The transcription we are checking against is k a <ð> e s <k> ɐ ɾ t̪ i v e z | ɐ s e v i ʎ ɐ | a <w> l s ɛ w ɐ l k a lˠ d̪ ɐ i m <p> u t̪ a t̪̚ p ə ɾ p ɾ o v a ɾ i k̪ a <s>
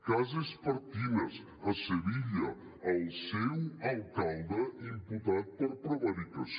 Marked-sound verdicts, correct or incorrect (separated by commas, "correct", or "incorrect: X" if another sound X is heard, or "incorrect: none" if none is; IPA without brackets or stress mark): incorrect: z, incorrect: p, incorrect: none, correct, correct